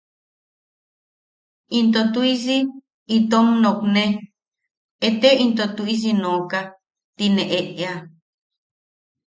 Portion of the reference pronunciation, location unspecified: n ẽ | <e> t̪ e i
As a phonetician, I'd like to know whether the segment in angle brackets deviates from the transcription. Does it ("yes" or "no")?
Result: no